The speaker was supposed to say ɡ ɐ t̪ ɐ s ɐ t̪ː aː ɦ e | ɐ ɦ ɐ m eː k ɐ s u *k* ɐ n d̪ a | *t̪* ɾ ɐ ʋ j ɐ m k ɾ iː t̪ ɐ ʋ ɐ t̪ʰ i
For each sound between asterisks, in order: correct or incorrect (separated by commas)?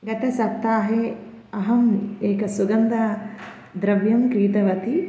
incorrect, incorrect